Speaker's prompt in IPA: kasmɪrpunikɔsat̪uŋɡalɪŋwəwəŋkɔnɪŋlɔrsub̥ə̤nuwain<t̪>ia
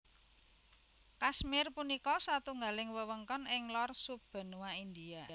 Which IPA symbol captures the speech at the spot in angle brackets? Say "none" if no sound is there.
d̪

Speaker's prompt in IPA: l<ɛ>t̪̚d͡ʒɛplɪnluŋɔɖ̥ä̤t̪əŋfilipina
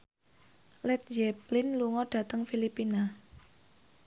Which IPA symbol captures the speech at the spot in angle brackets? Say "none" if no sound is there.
ɛ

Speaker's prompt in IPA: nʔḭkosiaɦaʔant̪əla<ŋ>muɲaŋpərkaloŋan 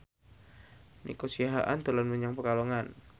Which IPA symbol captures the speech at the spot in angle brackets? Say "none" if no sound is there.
n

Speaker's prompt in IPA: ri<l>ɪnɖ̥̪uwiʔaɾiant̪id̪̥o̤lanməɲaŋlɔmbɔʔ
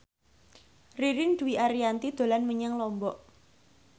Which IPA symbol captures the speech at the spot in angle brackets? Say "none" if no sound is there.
ɾ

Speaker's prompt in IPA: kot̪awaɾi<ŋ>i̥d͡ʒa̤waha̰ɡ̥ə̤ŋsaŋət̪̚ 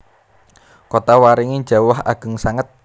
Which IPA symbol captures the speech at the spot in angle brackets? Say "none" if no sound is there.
ŋ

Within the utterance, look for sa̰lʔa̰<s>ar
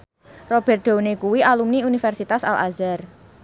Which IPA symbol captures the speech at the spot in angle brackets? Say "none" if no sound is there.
z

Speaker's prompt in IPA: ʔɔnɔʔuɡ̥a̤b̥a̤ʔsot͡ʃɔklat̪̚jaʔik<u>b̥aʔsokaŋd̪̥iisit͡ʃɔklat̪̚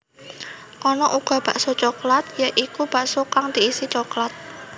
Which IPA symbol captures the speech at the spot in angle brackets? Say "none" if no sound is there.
u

